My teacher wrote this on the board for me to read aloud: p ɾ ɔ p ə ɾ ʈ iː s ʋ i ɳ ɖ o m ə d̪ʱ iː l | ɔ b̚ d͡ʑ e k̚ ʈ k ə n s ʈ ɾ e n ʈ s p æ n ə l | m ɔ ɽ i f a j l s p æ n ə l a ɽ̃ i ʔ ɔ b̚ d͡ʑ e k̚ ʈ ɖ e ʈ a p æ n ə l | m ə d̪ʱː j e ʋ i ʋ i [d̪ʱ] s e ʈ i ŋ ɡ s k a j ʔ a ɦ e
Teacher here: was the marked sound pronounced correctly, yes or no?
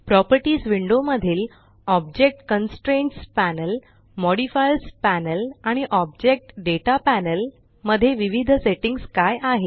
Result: yes